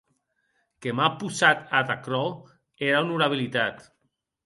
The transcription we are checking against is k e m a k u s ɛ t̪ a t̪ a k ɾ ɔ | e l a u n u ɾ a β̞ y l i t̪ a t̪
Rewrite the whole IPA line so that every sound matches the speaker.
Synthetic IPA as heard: k e m a p u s a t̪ a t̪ a k ɾ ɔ | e ɾ a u n u ɾ a β̞ i l i t̪ a t̪